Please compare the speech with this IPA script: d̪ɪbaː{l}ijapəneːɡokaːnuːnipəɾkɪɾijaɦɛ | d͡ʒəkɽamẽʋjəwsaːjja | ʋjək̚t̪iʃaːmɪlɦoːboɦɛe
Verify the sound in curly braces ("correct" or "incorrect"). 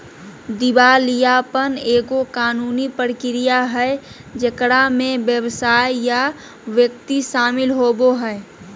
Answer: correct